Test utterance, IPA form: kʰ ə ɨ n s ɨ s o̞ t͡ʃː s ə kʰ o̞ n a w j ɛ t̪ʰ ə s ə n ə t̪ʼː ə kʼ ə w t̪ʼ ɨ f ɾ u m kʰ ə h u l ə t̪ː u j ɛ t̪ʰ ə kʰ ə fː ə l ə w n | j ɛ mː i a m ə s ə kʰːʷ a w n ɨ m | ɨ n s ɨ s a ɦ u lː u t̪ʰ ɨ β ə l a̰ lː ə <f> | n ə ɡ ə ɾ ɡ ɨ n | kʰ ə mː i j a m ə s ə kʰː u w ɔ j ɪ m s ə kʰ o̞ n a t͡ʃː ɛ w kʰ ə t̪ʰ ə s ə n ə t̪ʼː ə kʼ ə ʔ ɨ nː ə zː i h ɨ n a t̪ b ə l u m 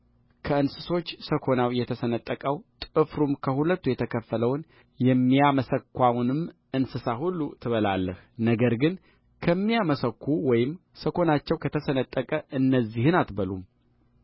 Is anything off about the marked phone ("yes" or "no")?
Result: yes